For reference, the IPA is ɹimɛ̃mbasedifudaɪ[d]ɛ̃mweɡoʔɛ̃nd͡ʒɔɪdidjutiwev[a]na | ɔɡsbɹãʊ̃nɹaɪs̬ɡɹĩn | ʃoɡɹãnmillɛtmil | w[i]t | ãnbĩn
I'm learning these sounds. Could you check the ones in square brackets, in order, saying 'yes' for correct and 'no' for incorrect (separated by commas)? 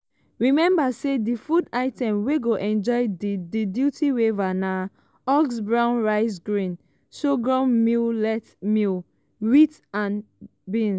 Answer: no, yes, yes